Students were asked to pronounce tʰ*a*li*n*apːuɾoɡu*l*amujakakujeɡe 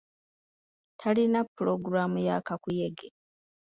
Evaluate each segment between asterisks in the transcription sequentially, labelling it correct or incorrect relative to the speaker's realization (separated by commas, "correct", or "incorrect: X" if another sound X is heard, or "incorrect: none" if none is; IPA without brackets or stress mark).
correct, correct, incorrect: ɾ